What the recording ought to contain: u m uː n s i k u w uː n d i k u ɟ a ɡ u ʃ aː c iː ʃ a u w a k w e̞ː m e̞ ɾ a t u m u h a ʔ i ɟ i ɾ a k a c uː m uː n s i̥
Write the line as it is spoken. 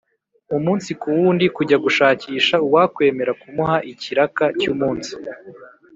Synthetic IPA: u m uː n s i k u w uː n d i k u ɟ a ɡ u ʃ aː c iː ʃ a u w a k w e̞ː m e̞ ɾ a k u m u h a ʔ i c i ɾ a k a c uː m uː n s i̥